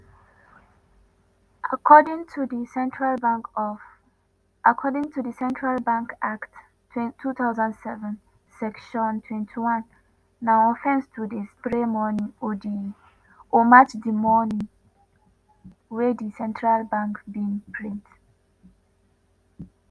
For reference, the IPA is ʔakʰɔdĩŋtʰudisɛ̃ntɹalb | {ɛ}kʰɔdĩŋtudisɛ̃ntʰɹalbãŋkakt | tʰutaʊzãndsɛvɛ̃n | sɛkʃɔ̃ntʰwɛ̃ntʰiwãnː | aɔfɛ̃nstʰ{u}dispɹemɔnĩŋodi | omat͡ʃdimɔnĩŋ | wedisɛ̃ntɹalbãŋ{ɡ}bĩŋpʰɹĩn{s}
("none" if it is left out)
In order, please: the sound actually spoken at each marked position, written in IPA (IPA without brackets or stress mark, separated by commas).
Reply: a, u, k, t